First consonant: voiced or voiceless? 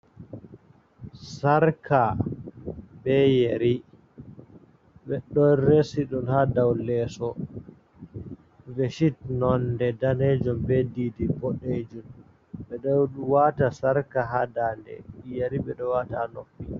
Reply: voiceless